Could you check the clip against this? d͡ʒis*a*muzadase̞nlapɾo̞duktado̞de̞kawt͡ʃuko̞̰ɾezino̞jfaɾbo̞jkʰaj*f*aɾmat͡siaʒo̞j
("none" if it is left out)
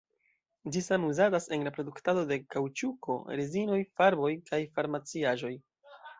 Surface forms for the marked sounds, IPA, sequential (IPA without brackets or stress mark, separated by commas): a, f